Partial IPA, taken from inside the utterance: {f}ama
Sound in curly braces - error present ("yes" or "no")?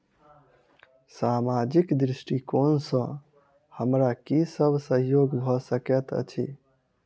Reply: yes